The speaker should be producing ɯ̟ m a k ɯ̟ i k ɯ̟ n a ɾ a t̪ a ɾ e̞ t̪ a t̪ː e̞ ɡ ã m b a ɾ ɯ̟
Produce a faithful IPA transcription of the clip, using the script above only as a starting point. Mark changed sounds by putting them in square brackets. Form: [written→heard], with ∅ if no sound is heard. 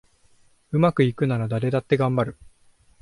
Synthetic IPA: ɯ̟ m a k ɯ̟ i k ɯ̟ n a ɾ a [t̪→d̪] a ɾ e̞ [t̪→d̪] a t̪ː e̞ ɡ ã m b a ɾ ɯ̟

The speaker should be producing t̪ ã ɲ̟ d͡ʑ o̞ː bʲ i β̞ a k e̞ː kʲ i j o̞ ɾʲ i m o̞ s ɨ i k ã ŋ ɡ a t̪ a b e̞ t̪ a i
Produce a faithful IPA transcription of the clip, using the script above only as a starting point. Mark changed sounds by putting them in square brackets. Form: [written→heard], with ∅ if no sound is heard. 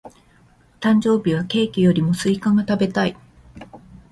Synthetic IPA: t̪ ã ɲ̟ d͡ʑ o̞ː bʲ i β̞ a k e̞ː kʲ i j o̞ ɾʲ i m o̞ s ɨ i k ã ŋ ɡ a t̪ a b e̞ t̪ a i

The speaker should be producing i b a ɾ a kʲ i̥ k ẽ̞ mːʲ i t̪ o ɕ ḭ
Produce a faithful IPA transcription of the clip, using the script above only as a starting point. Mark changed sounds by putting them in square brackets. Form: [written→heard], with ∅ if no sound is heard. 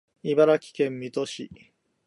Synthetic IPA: i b a ɾ a kʲ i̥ k ẽ̞ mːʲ i t̪ o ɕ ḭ

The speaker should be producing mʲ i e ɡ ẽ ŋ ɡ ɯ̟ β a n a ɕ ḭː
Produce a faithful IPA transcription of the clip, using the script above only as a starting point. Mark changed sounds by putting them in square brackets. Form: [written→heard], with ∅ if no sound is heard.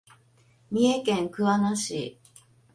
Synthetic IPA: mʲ i e [ɡ→k] ẽ ŋ [ɡ→k] ɯ̟ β a n a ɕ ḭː

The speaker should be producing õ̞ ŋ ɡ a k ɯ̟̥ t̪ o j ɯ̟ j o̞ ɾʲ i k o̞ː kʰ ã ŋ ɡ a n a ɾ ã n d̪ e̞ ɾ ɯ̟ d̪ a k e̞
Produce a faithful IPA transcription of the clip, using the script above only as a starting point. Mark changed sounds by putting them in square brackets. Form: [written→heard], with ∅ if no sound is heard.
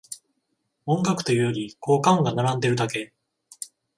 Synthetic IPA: õ̞ ŋ ɡ a k ɯ̟̥ t̪ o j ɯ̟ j o̞ ɾʲ i k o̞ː [kʰ→k] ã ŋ ɡ a n a ɾ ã n d̪ e̞ ɾ ɯ̟ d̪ a k e̞

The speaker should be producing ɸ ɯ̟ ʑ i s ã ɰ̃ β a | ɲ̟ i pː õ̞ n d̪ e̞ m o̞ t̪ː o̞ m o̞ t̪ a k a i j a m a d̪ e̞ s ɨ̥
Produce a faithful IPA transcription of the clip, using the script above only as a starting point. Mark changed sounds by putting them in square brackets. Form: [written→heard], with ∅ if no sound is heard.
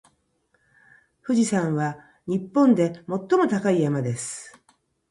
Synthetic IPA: ɸ ɯ̟ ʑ i s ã ɰ̃ β a | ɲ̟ i pː õ̞ n d̪ e̞ m o̞ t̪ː o̞ m o̞ t̪ a k a i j a m a d̪ e̞ s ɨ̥

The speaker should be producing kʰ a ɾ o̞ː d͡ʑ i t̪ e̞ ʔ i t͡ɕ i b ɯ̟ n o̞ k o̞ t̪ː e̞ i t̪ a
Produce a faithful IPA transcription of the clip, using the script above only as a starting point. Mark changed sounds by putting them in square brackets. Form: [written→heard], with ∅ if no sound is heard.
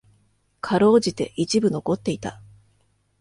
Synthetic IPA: kʰ a ɾ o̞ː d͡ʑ i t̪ e̞ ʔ i t͡ɕ i b ɯ̟ n o̞ k o̞ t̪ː e̞ i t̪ a

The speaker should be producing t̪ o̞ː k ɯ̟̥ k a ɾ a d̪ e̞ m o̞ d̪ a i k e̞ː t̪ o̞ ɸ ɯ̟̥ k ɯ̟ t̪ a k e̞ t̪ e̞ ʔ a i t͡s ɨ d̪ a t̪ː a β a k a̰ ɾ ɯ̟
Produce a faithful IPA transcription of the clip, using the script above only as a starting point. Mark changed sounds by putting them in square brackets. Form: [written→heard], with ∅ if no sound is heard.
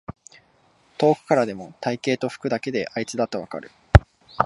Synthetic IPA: t̪ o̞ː k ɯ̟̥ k a ɾ a d̪ e̞ m o̞ [d̪→t̪] a i k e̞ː t̪ o̞ ɸ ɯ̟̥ k ɯ̟ [t̪→d̪] a k e̞ [t̪→d̪] e̞ ʔ a i t͡s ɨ d̪ a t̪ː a β a k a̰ ɾ ɯ̟

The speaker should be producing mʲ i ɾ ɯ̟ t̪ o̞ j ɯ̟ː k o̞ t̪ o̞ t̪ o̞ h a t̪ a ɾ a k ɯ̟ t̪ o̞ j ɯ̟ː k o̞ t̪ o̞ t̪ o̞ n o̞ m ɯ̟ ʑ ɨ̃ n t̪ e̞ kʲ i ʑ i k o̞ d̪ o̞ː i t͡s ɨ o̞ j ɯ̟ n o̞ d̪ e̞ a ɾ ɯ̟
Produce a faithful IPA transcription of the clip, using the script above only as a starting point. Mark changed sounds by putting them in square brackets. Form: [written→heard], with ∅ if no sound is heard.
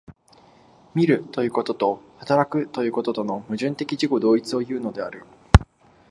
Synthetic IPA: mʲ i ɾ ɯ̟ t̪ o̞ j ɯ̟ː k o̞ t̪ o̞ t̪ o̞ h a t̪ a ɾ a k ɯ̟ t̪ o̞ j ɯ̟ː k o̞ t̪ o̞ t̪ o̞ n o̞ m ɯ̟ ʑ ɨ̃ n t̪ e̞ kʲ i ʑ i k o̞ d̪ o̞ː i t͡s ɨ o̞ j [ɯ̟→ɯ̟ː] n o̞ d̪ e̞ a ɾ ɯ̟

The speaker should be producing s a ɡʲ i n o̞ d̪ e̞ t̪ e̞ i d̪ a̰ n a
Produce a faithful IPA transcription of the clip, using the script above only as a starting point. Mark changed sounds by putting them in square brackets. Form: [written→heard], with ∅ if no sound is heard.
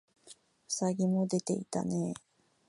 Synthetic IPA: s a ɡʲ i [n→m] o̞ d̪ e̞ t̪ e̞ i [d̪→t̪] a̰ n [a→e]

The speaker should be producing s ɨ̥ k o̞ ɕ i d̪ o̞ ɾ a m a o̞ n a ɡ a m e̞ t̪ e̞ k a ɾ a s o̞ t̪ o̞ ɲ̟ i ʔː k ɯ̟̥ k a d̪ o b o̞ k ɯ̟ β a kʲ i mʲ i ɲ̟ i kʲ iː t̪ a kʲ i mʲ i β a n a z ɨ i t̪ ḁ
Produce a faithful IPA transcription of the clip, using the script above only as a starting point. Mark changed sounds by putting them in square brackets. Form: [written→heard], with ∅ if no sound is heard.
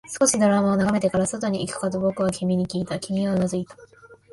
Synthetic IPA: s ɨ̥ k o̞ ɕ i d̪ o̞ ɾ a m a o̞ n a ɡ a m e̞ t̪ e̞ k a ɾ a s o̞ t̪ o̞ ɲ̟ i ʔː k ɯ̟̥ k a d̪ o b o̞ k ɯ̟ β a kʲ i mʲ i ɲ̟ i kʲ iː t̪ a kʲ i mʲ i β a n a z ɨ i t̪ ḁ

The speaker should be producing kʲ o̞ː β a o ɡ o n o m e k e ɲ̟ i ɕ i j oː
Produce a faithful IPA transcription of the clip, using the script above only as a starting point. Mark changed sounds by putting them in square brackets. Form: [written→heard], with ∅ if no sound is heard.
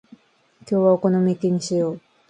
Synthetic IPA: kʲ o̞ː β a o [ɡ→k] o n o m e k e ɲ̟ i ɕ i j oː

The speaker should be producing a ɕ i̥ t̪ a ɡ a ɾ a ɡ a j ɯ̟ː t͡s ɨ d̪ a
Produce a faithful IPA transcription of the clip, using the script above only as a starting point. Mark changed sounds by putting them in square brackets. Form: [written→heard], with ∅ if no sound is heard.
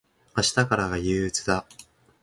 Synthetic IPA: a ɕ i̥ t̪ a [ɡ→k] a ɾ a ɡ a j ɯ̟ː t͡s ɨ d̪ a

